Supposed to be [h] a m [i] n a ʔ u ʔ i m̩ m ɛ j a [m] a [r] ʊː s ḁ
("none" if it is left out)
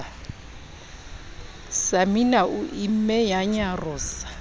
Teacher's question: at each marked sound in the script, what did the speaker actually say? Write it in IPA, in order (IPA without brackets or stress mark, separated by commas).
s, i, ɲ, r